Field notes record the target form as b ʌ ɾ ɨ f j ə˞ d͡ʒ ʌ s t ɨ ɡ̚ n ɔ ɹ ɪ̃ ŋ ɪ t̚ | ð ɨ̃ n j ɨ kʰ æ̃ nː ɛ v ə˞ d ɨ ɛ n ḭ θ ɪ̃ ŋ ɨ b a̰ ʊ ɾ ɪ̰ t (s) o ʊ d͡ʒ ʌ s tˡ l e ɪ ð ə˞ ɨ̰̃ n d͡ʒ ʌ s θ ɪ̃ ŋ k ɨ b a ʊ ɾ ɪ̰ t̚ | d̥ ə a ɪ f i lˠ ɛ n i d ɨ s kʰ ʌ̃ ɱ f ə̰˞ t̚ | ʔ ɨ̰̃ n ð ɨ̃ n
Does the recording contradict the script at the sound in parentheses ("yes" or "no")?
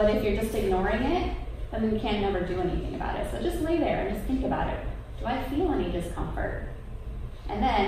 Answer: no